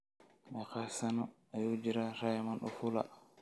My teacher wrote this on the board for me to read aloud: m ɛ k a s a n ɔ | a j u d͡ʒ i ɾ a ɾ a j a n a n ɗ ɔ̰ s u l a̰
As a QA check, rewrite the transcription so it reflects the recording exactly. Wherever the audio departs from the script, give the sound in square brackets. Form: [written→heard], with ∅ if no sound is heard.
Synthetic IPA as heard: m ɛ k a s a n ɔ | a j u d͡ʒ i ɾ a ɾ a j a [n→m] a n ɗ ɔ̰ [s→f] u l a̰